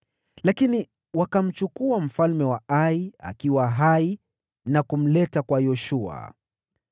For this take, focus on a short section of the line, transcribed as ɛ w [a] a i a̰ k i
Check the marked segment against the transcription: correct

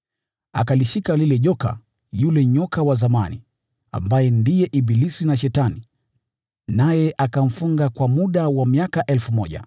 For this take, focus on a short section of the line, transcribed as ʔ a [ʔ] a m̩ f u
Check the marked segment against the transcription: incorrect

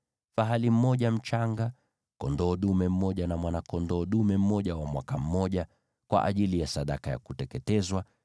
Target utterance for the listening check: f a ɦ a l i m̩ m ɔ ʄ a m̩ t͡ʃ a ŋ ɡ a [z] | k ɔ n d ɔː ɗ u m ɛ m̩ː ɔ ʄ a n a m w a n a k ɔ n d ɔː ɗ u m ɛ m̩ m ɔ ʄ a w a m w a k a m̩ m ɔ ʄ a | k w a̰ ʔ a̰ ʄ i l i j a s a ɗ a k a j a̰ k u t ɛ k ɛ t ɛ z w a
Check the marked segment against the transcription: incorrect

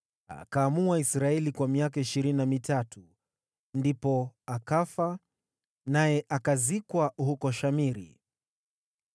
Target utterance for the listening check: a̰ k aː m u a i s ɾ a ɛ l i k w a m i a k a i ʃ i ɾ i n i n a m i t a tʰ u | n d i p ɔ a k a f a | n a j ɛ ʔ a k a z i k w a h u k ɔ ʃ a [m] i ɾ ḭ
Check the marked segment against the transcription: correct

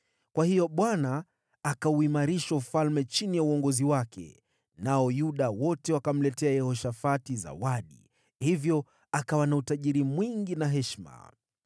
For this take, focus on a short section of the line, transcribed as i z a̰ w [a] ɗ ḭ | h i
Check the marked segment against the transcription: correct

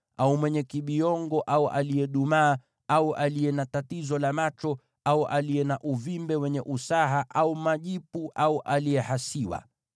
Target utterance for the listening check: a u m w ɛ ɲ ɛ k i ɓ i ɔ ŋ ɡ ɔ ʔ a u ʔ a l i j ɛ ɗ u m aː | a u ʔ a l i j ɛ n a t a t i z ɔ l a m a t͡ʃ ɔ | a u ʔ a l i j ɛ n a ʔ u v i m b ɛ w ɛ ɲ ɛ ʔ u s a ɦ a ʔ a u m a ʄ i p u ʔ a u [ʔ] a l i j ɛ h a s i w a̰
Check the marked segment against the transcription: correct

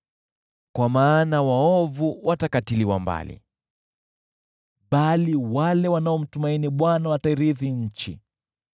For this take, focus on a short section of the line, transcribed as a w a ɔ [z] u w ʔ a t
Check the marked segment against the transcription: incorrect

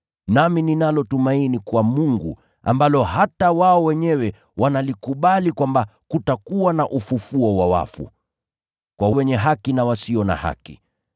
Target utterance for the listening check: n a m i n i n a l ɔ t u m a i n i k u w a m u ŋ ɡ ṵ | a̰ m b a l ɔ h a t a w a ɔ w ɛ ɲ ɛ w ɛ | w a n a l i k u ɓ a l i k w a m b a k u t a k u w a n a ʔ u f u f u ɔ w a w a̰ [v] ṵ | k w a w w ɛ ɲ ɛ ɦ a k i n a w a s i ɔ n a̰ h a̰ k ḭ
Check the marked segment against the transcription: incorrect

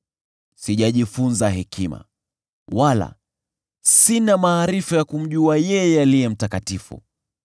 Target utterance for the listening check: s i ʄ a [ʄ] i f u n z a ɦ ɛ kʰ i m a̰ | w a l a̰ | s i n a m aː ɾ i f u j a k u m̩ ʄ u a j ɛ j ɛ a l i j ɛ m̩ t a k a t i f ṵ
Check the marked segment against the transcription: correct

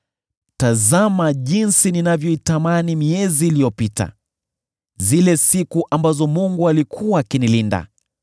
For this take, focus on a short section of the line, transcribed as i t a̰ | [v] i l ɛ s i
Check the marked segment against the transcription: incorrect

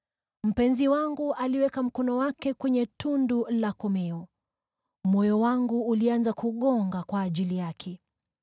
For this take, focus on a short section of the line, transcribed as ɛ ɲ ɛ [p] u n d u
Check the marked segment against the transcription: incorrect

